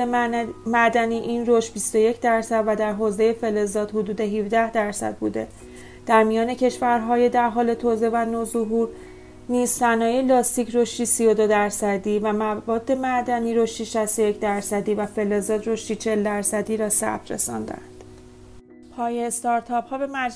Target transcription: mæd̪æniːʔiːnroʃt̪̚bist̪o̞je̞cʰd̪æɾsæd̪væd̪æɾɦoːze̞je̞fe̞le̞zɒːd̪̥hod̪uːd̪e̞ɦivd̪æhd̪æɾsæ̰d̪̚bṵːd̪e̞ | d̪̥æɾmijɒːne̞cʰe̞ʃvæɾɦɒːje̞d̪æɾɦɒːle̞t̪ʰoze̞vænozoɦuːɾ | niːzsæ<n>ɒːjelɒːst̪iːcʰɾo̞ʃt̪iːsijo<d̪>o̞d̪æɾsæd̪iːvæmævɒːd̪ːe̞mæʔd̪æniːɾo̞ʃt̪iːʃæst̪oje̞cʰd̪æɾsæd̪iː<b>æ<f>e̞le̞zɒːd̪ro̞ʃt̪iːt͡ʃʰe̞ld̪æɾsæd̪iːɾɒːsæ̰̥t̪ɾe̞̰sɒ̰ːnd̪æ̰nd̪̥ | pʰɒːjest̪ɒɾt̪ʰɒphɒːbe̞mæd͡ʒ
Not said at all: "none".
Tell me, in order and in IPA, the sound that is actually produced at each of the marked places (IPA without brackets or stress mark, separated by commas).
n, d̪, v, f